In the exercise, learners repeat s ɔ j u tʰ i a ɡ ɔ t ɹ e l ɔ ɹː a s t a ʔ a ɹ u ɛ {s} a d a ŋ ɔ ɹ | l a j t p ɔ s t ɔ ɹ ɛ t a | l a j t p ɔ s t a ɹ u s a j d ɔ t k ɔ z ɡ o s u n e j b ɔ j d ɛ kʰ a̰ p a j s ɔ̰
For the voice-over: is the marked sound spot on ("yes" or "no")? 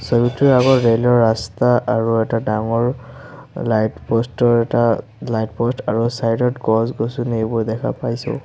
no